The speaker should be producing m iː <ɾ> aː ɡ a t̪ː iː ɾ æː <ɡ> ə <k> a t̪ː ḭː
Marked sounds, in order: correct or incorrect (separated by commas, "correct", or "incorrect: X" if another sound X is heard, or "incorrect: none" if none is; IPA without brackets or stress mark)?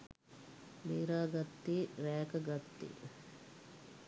correct, incorrect: k, incorrect: ɡ